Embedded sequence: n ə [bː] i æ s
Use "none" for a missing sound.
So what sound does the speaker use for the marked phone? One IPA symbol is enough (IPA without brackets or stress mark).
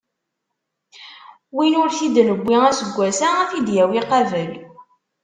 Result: bː